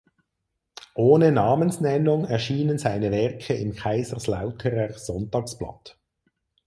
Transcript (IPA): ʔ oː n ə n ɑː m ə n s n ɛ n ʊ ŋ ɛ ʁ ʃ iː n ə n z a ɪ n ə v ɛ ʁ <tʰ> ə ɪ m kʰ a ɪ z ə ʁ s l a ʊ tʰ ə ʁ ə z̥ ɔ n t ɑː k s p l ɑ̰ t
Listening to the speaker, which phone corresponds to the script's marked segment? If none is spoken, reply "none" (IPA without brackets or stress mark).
kʰ